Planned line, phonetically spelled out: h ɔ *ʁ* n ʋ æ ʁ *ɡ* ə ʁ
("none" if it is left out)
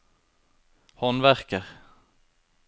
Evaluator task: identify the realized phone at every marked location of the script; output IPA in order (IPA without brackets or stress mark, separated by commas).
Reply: none, k